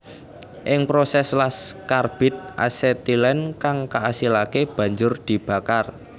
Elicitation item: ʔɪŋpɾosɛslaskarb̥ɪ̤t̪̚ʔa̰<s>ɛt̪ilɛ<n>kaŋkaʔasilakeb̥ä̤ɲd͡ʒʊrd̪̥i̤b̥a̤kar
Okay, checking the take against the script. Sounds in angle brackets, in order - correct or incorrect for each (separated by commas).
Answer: correct, correct